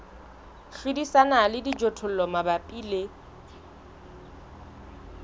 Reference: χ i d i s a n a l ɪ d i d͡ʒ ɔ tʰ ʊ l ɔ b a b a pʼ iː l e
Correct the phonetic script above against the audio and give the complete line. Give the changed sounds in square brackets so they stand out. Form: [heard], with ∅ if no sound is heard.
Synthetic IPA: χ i d i s a n a l ɪ d i d͡ʒ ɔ tʰ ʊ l ɔ [m] a b a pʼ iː l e